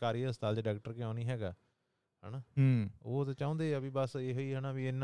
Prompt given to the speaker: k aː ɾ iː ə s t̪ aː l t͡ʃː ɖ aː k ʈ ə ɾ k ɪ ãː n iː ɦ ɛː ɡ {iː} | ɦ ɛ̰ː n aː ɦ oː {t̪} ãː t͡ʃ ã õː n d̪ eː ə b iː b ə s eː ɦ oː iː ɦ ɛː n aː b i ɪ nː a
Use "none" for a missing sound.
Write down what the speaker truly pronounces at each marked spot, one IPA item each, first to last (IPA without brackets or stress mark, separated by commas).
aː, t̪